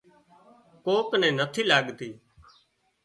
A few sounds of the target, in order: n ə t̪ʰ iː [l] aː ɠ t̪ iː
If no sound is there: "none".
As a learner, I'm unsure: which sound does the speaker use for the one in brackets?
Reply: l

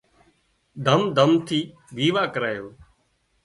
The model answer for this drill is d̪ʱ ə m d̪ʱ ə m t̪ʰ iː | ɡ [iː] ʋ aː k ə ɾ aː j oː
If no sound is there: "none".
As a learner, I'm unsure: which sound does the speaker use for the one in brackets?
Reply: iː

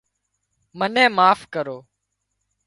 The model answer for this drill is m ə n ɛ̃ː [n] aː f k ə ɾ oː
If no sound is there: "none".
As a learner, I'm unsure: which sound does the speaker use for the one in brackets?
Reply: m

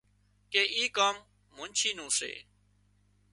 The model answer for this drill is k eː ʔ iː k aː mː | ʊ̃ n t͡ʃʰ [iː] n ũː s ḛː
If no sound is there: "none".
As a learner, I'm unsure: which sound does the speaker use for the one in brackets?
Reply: iː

